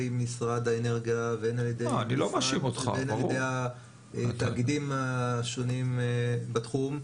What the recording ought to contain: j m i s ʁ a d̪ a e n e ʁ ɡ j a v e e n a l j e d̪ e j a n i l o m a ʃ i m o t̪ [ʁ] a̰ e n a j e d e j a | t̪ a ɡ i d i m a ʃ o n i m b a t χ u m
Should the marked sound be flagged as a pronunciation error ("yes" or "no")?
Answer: yes